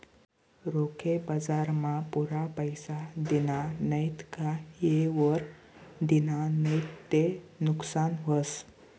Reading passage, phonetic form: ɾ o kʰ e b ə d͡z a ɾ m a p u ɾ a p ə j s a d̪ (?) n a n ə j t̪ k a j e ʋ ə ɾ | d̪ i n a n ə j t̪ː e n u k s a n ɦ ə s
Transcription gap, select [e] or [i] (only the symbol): i